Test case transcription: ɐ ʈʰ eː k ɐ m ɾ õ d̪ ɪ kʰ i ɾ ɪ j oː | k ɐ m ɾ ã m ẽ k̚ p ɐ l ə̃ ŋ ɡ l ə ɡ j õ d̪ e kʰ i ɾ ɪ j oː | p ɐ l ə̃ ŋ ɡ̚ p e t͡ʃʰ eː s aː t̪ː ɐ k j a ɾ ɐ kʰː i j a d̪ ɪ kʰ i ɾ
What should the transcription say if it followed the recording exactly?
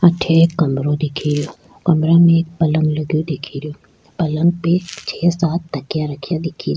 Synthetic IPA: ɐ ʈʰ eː k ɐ m ɾ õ d̪ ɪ kʰ i ɾ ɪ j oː | k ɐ m ɾ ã m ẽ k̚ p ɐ l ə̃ ŋ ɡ l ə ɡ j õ d̪ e kʰ i ɾ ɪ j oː | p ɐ l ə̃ ŋ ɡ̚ p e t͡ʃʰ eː s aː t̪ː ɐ k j a ɾ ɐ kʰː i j a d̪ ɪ kʰ i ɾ